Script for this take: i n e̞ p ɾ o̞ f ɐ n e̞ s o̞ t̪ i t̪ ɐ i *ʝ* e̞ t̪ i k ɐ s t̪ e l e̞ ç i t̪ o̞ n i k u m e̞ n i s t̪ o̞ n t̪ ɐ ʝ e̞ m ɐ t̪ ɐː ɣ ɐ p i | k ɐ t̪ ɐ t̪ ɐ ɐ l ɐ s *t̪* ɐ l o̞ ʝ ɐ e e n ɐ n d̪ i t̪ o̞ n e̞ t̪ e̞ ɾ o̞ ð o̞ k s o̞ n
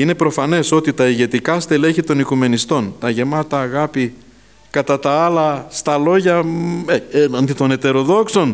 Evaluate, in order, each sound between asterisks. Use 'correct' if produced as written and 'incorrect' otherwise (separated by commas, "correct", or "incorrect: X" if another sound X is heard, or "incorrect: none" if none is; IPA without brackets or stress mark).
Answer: correct, correct